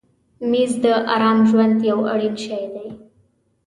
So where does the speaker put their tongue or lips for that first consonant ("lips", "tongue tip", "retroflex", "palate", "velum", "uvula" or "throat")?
lips